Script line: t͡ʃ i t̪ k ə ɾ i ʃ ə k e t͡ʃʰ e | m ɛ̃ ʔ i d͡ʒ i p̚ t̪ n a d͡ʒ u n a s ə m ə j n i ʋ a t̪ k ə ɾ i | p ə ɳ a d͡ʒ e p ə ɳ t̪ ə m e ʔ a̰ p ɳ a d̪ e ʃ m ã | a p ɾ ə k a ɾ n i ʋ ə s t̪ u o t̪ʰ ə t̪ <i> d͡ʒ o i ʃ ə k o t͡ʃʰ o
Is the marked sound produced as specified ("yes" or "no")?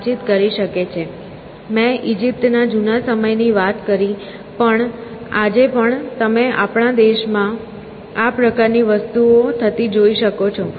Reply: yes